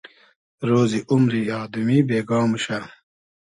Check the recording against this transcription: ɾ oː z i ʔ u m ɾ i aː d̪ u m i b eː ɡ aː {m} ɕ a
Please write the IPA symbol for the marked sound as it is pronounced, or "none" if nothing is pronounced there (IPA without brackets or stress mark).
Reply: m